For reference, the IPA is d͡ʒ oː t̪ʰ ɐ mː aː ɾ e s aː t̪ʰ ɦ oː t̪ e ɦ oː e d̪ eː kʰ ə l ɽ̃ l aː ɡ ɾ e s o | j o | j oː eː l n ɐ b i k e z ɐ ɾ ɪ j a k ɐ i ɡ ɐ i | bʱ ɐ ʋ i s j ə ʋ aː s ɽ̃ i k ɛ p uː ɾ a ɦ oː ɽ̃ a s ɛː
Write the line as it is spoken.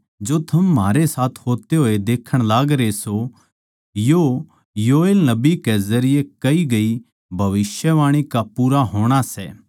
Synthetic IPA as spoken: d͡ʒ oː t̪ʰ ɐ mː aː ɾ e s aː t̪ʰ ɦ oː t̪ e ɦ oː e d̪ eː kʰ ə ɽ̃ l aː ɡ ɾ e s o | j o | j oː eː l n ɐ b i k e z ɐ ɾ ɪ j e k ɐ i ɡ ɐ i | bʱ ɐ ʋ ɪ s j ə ʋ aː ɽ̃ i k a p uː ɾ a ɦ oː ɽ̃ a s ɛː